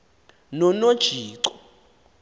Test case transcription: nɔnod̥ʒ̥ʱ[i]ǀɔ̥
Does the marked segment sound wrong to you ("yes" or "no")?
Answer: yes